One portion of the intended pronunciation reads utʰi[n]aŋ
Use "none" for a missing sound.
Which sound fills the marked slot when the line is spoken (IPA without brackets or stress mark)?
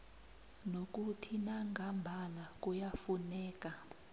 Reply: n